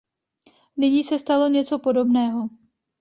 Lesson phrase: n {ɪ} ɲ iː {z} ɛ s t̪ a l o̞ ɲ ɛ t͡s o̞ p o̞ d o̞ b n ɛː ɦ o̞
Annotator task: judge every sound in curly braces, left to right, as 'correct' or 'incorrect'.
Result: correct, incorrect: s

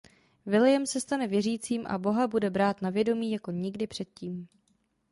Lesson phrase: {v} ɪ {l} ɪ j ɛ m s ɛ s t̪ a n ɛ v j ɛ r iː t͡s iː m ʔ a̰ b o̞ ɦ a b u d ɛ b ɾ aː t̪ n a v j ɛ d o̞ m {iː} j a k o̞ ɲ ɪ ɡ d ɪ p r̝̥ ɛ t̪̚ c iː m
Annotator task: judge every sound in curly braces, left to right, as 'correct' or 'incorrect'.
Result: correct, correct, correct

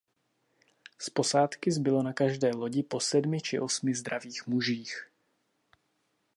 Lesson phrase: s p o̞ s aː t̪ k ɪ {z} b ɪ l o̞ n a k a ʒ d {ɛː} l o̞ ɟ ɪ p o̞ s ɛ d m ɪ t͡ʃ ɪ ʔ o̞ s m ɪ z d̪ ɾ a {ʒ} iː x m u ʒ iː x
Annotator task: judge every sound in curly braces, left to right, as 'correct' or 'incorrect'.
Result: correct, correct, incorrect: v

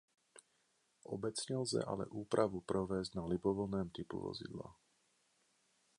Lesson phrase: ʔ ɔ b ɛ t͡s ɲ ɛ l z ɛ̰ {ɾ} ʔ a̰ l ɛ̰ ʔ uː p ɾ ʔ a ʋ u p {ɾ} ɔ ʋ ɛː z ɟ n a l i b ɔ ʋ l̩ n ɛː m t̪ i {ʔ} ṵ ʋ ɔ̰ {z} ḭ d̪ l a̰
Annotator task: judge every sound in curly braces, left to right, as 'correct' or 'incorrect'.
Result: incorrect: none, correct, incorrect: p, correct

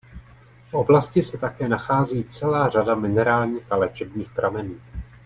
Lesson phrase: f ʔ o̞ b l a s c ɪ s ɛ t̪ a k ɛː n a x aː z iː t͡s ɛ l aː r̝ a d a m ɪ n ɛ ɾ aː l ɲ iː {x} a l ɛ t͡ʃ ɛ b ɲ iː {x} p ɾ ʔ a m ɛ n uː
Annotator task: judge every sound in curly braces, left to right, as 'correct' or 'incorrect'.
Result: correct, correct

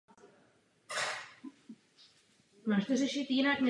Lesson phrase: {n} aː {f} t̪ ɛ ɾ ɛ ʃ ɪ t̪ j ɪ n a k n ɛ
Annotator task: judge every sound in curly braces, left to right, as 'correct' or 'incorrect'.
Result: incorrect: m, incorrect: ʃ

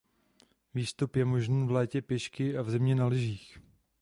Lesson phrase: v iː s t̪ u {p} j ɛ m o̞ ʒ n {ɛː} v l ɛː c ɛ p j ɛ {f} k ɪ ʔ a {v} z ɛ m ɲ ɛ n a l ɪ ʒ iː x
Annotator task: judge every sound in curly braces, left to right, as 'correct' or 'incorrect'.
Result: correct, incorrect: iː, incorrect: ʃ, correct

